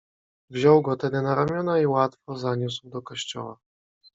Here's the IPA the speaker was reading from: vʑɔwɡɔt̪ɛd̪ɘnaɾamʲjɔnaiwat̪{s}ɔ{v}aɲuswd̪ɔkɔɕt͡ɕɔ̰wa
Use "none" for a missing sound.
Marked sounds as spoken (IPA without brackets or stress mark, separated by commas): f, z